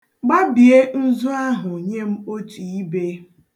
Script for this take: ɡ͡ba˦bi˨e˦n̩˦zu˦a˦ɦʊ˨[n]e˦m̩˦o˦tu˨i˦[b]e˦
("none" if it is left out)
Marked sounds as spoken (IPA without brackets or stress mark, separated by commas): ɲ, b